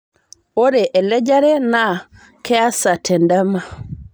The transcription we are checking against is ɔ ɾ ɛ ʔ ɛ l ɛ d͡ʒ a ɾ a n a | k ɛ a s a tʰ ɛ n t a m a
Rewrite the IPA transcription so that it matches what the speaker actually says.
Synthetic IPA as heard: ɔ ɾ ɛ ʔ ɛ l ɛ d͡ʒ a ɾ ɛ n a | k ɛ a s a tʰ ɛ n d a m a